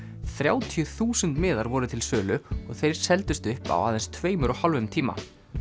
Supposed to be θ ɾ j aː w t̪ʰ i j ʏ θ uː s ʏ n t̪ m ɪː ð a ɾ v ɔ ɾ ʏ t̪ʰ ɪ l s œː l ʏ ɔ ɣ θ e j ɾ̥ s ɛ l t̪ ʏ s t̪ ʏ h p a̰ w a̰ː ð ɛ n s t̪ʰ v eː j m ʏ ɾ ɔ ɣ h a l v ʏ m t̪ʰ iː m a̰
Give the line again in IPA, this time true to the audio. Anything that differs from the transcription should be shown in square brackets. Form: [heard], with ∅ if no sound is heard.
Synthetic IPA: θ ɾ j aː w t̪ʰ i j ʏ θ uː s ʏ n t̪ m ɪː ð a ɾ v ɔ ɾ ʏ t̪ʰ ɪ l s œː l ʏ ɔ ɣ θ e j ɾ̥ s ɛ l t̪ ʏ s t̪ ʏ h p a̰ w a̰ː ð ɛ n s t̪ʰ v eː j m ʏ ɾ ɔ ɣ h a l v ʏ m t̪ʰ iː m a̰